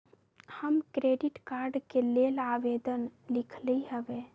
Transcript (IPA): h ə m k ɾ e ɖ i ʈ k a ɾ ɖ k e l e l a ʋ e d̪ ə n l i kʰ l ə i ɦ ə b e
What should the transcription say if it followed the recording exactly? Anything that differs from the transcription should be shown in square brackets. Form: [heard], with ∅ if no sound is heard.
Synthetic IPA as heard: h ə m k ɾ e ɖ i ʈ k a ɾ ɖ k e l e l a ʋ e d̪ ə n l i kʰ l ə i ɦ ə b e